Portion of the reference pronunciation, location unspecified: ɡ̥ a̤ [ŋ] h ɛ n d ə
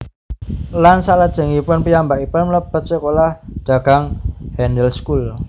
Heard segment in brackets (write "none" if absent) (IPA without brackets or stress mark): ŋ